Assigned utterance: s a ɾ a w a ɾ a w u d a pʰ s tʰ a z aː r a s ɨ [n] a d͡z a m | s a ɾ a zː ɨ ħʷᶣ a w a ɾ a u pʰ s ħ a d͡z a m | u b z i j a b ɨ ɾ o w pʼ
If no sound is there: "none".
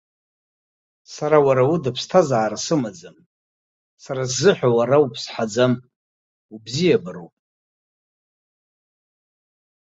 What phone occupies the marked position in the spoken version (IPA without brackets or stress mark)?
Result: m